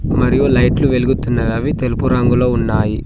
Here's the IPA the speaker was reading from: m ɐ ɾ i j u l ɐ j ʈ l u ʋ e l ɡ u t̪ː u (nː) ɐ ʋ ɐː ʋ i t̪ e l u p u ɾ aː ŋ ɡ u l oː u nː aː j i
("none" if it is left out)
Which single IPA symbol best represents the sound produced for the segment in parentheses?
nː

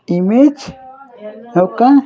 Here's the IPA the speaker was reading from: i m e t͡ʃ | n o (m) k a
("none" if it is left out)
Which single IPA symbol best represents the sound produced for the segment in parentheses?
none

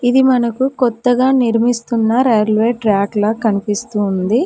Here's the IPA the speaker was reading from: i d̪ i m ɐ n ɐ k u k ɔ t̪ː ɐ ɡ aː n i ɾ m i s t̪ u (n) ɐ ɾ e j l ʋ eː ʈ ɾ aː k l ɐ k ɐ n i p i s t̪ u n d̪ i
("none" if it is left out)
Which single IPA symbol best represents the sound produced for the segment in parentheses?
nː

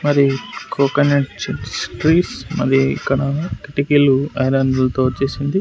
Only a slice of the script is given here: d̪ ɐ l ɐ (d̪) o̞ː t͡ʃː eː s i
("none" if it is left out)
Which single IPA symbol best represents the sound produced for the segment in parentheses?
t̪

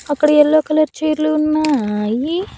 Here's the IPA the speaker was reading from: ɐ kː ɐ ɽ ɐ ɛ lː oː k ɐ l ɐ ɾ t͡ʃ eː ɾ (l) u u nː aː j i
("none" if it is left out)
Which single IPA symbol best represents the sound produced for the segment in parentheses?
l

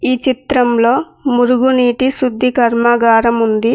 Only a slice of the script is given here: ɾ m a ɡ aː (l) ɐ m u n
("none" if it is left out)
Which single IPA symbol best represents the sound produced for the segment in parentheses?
ɾ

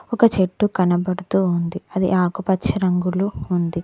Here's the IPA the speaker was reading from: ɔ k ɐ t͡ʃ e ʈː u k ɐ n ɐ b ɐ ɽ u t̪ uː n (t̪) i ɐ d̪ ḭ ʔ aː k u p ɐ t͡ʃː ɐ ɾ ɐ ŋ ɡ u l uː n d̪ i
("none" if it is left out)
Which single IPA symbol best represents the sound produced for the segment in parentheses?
d̪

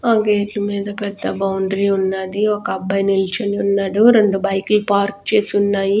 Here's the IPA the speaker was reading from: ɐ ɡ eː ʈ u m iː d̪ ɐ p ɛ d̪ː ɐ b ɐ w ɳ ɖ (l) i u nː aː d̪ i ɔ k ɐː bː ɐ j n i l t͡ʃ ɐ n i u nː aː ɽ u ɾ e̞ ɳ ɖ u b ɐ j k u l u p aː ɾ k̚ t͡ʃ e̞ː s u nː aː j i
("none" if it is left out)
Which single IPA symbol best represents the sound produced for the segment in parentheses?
ɾ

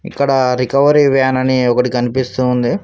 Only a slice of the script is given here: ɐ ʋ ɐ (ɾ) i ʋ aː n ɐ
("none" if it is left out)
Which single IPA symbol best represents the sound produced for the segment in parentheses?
ɾ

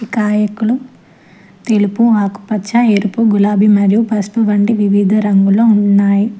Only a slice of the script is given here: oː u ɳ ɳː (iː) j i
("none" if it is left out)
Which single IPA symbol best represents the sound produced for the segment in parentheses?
aː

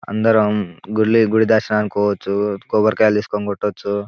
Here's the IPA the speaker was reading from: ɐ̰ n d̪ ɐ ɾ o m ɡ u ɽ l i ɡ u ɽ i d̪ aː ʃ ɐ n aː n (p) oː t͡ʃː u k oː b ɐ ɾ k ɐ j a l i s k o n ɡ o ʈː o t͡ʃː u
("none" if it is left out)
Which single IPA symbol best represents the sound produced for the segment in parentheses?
k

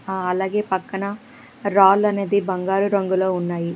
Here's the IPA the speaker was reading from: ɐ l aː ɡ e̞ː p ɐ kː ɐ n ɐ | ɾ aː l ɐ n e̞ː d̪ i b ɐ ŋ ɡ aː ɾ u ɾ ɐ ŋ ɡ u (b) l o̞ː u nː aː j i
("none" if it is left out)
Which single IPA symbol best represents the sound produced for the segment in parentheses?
none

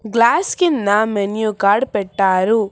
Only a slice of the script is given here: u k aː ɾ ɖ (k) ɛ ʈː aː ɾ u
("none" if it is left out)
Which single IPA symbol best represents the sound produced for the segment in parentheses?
p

